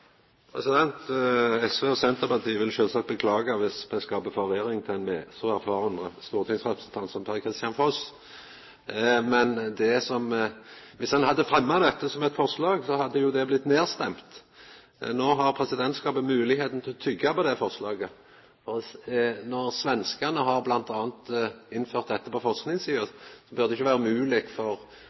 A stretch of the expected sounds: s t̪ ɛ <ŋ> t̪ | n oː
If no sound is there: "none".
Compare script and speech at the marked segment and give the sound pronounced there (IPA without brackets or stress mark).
m